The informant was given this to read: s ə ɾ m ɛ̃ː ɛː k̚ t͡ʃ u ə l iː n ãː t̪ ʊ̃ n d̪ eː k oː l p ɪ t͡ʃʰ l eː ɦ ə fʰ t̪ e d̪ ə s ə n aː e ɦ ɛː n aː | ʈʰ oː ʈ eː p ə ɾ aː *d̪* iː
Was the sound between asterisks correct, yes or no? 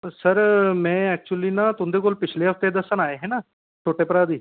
yes